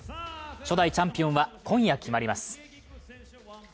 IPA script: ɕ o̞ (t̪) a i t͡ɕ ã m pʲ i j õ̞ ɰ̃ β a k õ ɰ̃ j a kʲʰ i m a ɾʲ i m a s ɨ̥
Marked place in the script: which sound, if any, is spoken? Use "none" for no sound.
d̪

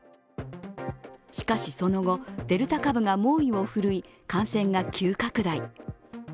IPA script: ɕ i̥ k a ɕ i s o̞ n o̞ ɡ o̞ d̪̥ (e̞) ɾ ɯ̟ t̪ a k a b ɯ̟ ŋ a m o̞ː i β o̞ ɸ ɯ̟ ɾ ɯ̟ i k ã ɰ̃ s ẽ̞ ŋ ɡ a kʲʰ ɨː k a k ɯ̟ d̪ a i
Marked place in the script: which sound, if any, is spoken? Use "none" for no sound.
e̞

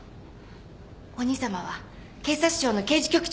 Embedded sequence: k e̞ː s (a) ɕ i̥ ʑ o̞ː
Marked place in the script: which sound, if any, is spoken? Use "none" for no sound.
a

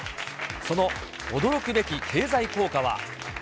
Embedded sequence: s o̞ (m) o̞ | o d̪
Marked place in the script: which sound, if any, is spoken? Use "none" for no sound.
n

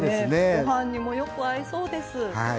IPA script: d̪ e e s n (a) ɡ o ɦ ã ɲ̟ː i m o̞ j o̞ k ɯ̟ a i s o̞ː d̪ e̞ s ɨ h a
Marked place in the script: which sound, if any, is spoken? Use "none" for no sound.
e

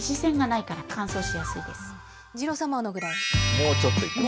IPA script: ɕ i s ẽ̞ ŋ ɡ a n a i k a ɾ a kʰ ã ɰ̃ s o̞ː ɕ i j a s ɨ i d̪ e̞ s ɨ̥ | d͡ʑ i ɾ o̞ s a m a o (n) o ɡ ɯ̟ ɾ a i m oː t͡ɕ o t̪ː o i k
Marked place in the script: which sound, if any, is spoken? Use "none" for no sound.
n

